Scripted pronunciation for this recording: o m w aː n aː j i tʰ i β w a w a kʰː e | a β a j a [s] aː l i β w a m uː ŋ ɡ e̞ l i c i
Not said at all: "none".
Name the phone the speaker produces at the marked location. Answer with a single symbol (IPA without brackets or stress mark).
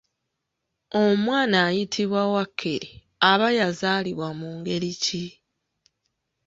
z